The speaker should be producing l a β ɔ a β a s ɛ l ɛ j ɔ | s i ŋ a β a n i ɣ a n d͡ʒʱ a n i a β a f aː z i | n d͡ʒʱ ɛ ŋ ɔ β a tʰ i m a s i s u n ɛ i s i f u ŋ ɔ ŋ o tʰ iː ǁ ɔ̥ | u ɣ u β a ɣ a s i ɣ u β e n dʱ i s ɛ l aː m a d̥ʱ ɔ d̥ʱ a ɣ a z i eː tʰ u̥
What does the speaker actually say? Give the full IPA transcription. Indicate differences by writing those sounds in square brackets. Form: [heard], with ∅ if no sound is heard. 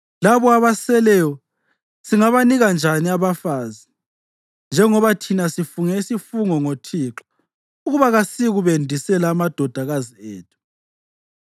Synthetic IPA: l a β ɔ a β a s ɛ l ɛ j ɔ | s i ŋ a β a n i ɣ a n d͡ʒʱ a n i a β a f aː z i | n d͡ʒʱ ɛ ŋ ɔ β a tʰ i [n] a s i [f] u [ŋ] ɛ i s i f u ŋ ɔ ŋ o tʰ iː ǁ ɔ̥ | u ɣ u β a ɣ a s i ɣ u β e n dʱ i s ɛ l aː m a d̥ʱ ɔ d̥ʱ a ɣ a z i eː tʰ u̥